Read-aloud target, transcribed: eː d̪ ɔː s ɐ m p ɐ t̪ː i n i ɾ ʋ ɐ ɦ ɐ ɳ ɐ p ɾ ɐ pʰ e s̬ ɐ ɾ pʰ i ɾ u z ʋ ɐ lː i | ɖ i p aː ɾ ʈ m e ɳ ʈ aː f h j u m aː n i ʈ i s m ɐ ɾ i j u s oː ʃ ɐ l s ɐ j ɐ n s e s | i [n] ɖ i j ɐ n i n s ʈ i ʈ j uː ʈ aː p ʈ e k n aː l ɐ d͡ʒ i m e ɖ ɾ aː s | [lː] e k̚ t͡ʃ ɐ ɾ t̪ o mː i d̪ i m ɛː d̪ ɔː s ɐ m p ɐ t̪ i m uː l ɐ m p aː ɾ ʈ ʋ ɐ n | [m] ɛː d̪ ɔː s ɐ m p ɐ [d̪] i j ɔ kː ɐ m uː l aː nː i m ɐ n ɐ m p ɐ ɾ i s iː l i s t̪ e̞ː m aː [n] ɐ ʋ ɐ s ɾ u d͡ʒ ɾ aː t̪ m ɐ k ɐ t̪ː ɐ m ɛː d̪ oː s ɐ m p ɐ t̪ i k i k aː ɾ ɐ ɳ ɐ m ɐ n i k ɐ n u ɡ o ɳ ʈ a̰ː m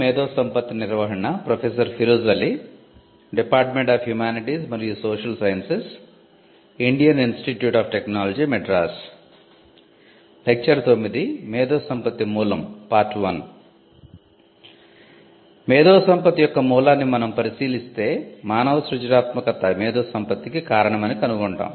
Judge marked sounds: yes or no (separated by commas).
no, no, yes, no, yes